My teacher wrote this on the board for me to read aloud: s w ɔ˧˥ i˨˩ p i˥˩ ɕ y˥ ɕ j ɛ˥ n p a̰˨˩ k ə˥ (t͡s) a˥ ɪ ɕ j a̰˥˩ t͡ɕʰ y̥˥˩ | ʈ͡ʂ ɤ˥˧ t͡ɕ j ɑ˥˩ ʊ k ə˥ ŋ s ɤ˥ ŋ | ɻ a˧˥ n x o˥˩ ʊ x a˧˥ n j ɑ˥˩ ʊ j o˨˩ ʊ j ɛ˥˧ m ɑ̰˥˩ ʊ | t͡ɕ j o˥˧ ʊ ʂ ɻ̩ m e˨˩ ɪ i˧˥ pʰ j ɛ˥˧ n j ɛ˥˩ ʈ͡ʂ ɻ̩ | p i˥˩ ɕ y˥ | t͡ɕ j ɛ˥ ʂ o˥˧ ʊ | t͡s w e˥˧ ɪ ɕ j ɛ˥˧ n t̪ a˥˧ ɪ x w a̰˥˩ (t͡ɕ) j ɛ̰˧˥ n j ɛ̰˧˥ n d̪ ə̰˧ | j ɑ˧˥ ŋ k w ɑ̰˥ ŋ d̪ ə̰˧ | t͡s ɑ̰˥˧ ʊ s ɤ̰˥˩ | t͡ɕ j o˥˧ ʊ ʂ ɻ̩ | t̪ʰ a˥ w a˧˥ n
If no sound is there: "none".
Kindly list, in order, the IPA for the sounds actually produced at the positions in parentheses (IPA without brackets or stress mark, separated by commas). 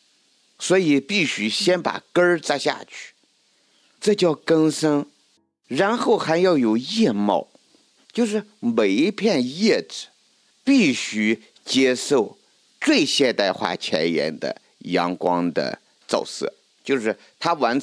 t͡s, t͡ɕʰ